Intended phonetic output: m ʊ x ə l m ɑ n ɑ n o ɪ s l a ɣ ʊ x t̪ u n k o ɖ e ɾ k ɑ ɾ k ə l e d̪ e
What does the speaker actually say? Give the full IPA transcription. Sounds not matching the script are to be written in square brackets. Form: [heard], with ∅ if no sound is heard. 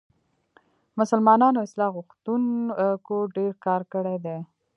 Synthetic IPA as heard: m ʊ [s] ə l m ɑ n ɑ n o ɪ s l [ɑ] ɣ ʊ x t̪ u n k o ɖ e ɾ k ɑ ɾ k ə [ɽ] e d̪ e